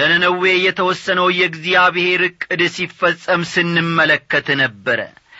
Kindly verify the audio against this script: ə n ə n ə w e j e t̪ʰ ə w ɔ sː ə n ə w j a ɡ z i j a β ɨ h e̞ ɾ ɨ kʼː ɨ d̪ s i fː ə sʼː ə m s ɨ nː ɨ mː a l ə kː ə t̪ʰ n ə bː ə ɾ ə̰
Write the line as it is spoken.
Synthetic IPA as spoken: ə n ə n ə w e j ɛ t̪ʰ ə w ɔ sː ə n ə w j ɛ ɡ z i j a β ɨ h e̞ ɾ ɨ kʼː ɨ d̪ s i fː ə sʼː ə m s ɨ nː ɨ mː ə l ə kː ə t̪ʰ n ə bː ə ɾ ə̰